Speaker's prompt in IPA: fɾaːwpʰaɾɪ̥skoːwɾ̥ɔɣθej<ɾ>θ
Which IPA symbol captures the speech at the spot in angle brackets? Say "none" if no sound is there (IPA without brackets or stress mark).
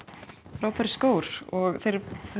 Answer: ɾ